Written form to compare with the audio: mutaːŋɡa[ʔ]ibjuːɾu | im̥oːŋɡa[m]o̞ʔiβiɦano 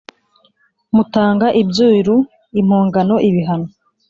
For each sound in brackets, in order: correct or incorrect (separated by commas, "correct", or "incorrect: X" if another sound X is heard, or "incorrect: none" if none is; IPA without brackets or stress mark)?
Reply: correct, incorrect: n